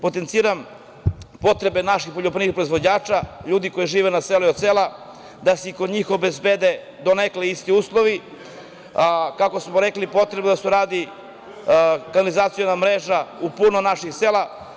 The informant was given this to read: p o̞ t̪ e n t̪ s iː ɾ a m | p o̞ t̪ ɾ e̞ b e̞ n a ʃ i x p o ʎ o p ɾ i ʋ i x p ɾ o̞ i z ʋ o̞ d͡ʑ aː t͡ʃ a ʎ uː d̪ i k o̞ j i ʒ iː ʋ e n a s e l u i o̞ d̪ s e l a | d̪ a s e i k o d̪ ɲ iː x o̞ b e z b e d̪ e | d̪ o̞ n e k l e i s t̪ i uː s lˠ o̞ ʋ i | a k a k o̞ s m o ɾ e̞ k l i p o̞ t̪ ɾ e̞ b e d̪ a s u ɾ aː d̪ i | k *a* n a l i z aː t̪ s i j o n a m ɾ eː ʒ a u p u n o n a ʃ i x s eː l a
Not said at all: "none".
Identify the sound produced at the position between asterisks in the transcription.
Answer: a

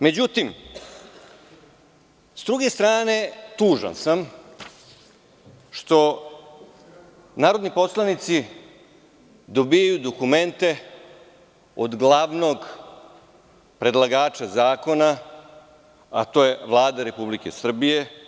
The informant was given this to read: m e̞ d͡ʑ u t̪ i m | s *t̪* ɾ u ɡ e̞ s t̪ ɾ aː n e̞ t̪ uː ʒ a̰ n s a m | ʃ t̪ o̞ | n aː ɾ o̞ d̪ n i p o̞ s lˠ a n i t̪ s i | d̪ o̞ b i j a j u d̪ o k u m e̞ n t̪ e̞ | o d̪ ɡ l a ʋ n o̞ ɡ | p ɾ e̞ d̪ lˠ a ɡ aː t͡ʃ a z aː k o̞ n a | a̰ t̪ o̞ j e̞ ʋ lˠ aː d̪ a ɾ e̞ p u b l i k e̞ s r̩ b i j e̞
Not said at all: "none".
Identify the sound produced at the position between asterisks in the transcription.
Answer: d̪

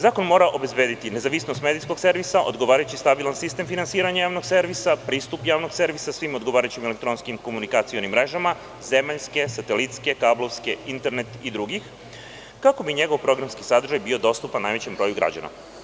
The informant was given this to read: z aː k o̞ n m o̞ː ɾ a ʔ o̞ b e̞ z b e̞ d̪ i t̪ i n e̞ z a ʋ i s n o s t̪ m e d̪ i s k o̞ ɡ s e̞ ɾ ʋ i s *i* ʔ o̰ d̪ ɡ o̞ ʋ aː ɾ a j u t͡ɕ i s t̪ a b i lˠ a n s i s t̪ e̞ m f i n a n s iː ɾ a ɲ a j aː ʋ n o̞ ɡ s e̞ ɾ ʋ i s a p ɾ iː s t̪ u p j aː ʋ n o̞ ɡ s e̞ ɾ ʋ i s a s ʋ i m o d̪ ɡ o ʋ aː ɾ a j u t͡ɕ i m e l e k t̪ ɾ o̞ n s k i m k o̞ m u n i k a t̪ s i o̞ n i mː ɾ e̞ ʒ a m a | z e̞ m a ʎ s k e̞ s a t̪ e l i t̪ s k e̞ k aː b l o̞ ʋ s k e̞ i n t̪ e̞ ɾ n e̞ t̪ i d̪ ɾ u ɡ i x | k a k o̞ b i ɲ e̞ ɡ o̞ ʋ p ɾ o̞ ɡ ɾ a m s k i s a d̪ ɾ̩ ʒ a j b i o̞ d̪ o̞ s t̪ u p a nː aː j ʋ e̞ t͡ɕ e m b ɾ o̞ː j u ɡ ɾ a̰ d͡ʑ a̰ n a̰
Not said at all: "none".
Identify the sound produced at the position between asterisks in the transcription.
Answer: a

